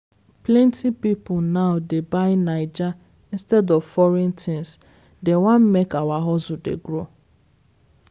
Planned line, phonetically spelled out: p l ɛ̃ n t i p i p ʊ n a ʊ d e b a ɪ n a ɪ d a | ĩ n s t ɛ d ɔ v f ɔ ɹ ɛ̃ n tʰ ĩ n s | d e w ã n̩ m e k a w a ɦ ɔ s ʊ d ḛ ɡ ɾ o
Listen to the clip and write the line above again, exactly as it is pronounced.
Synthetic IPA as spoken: p l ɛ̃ n t i p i p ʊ n a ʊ d e b a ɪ n a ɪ d͡ʒ a | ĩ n s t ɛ d ɔ v f ɔ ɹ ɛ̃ n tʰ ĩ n s | d e w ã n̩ m e k a w a ɦ ɔ z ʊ d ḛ ɡ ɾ o